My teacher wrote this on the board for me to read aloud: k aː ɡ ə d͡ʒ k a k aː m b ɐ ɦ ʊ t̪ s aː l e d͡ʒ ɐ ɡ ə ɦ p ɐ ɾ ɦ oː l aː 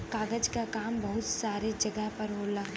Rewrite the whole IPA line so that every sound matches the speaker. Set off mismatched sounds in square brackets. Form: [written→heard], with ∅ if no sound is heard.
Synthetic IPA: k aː ɡ ə d͡ʒ k a k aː m b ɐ ɦ ʊ t̪ s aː [l→ɾ] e d͡ʒ ɐ ɡ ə ɦ p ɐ ɾ ɦ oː l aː